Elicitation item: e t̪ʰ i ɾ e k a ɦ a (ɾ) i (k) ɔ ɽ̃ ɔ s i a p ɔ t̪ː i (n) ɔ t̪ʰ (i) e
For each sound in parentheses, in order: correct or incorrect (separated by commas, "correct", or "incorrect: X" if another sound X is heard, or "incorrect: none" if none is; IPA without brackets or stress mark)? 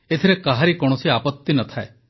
correct, correct, correct, incorrect: a